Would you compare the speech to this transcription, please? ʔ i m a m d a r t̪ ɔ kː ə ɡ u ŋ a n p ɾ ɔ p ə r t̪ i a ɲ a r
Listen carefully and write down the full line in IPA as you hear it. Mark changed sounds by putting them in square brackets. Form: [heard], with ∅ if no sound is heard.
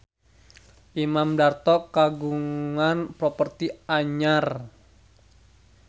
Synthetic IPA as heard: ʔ i m a m d a r t̪ ɔ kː [a] ɡ u ŋ a n p ɾ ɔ p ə r t̪ i a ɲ a r